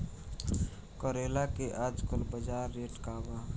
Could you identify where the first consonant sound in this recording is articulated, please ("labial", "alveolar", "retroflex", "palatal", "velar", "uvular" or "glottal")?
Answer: velar